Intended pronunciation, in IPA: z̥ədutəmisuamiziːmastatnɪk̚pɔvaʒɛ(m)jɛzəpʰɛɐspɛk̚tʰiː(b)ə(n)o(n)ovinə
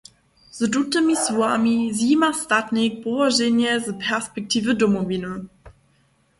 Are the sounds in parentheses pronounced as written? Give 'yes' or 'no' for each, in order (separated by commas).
no, no, no, no